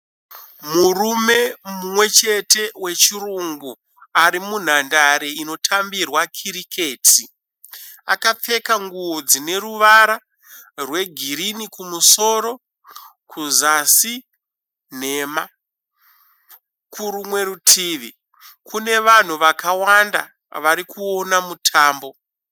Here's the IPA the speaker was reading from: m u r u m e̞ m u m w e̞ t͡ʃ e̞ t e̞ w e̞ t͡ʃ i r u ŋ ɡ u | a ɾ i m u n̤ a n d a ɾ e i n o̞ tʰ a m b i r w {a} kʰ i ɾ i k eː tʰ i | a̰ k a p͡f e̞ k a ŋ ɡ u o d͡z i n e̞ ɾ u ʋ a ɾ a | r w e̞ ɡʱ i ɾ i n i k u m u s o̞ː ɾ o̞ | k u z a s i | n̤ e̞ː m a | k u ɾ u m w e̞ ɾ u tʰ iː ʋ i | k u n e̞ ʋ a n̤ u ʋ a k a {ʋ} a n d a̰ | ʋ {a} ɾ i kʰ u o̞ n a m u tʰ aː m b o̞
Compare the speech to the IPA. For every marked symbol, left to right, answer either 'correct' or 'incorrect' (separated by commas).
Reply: correct, incorrect, correct